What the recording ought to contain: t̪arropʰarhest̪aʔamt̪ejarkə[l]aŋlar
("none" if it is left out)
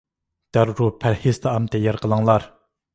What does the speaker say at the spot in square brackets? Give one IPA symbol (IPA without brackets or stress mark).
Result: l